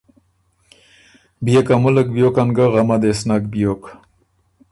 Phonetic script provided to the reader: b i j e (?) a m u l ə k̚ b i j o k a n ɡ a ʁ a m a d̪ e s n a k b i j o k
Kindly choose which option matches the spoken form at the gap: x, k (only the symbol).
k